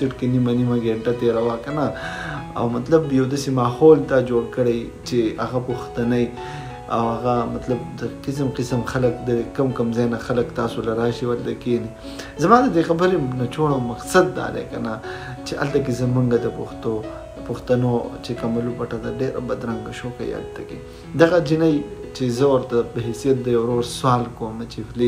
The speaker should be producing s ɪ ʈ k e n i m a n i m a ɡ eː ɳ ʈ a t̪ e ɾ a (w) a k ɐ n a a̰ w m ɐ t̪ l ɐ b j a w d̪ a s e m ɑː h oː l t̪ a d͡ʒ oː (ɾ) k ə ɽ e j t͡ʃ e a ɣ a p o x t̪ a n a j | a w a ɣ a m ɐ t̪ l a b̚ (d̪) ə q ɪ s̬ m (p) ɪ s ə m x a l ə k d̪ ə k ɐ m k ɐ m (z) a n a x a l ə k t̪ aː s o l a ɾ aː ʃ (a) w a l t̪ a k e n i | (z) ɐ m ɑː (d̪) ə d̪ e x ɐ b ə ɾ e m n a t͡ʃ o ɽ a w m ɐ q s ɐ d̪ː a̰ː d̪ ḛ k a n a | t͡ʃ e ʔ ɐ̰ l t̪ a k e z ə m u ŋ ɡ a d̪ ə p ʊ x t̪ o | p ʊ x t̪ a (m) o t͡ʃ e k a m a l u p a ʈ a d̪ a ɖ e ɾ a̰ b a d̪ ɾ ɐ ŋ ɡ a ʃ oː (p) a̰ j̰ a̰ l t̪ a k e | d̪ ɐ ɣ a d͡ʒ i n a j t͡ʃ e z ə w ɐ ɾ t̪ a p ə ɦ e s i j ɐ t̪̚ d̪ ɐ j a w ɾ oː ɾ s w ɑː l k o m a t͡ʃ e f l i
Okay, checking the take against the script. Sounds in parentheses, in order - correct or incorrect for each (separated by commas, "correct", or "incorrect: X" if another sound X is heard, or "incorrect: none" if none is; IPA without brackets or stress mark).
correct, incorrect: ɽ, correct, incorrect: q, correct, incorrect: i, correct, correct, incorrect: n, incorrect: k